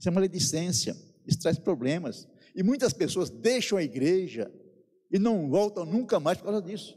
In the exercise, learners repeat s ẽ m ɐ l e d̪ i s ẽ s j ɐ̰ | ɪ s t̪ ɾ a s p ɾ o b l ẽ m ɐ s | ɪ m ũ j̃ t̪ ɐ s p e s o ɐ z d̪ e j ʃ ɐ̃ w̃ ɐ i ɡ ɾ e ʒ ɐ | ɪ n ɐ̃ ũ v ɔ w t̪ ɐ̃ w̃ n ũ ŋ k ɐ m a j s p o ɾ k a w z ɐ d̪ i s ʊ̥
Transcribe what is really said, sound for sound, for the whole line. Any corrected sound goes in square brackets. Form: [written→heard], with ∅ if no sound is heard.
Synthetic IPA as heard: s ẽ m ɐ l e d̪ i s ẽ s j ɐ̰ | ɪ s t̪ ɾ a s p ɾ o b l ẽ m ɐ s | ɪ m ũ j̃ t̪ ɐ s p e s o ɐ z d̪ e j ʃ ɐ̃ w̃ ɐ i ɡ ɾ e ʒ ɐ | ɪ n ɐ̃ [ũ→w̃] v ɔ w t̪ ɐ̃ w̃ n ũ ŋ k ɐ m a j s p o ɾ k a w z ɐ d̪ i s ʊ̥